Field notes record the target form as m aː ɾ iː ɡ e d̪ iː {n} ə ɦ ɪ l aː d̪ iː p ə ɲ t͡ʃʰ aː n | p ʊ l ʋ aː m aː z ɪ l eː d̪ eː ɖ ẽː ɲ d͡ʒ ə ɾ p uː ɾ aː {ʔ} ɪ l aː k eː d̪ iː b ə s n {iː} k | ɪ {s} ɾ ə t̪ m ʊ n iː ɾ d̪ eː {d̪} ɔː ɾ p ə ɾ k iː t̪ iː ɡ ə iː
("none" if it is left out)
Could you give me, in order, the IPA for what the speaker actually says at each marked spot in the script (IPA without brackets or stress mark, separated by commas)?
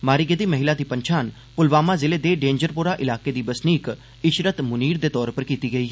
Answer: m, ʔ, iː, ʃ, t̪